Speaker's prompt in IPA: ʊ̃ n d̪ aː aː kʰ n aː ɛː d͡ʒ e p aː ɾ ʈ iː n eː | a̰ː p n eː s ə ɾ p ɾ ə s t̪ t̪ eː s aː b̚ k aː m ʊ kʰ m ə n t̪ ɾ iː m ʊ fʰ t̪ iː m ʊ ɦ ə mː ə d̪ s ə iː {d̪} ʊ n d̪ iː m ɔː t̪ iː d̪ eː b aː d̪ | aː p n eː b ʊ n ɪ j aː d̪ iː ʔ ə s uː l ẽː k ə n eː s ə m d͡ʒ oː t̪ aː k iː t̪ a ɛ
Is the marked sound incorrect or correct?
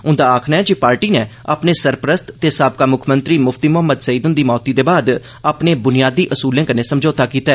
correct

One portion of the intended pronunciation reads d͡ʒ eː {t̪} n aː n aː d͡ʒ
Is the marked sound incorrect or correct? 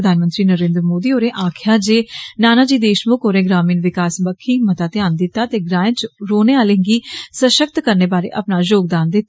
incorrect: none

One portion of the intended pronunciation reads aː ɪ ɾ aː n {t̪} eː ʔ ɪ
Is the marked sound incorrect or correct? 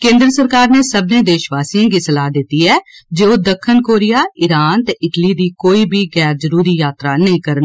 correct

